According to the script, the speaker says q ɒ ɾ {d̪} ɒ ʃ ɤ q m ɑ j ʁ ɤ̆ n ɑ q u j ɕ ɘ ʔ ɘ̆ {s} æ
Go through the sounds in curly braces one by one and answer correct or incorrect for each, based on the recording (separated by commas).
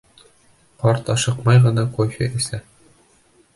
incorrect, correct